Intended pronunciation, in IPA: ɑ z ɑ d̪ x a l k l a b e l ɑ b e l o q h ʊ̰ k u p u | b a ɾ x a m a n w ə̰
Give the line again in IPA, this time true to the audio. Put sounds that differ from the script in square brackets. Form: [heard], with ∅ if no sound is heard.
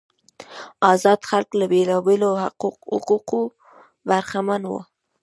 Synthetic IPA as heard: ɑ z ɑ d̪ x a l k l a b e l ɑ b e l o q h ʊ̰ [q] u [q] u | b a ɾ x a m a n w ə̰